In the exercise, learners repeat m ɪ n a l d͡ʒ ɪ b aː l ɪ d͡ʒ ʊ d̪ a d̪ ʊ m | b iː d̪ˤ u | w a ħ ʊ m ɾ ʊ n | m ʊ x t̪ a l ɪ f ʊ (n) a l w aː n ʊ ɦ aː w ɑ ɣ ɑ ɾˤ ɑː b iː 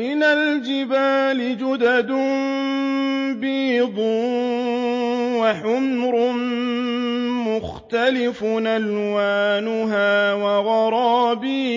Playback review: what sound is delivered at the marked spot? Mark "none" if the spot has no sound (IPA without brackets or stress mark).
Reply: n